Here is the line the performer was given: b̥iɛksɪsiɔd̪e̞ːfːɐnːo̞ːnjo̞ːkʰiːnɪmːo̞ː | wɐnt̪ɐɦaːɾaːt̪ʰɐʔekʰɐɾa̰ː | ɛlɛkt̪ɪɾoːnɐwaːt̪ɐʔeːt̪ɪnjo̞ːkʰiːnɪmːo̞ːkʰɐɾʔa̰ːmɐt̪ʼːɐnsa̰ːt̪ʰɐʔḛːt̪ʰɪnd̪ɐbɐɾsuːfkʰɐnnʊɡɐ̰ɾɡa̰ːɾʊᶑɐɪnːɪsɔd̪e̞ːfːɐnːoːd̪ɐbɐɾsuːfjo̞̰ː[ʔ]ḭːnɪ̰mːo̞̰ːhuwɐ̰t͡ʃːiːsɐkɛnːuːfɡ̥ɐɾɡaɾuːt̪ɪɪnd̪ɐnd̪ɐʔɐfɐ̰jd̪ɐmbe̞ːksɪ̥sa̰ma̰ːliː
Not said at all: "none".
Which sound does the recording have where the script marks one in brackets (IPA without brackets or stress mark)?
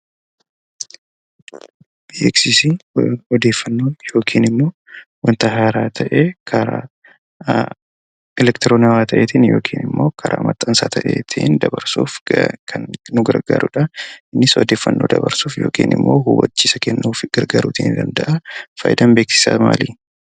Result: k